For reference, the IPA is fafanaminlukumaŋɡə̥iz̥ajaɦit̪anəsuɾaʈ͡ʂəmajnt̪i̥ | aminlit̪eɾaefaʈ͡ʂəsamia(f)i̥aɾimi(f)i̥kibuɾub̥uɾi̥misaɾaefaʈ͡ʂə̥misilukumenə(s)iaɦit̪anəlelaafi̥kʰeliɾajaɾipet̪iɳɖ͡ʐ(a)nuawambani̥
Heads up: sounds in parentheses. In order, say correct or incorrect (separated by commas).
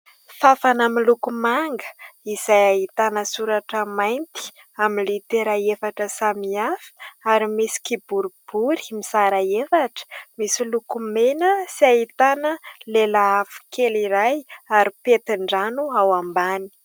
correct, incorrect, correct, correct